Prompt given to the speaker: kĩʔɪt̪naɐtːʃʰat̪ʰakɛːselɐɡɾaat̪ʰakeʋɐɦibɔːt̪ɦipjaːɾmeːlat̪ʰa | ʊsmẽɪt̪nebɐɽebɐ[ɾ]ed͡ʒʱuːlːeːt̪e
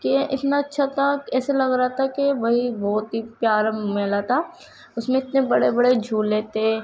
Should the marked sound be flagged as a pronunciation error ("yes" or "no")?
yes